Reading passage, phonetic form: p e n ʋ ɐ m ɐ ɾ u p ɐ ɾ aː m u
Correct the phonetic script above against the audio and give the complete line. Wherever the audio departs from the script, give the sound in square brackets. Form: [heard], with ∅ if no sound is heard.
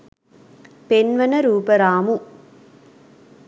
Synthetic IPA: p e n ʋ ɐ [n] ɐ ɾ [uː] p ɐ ɾ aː m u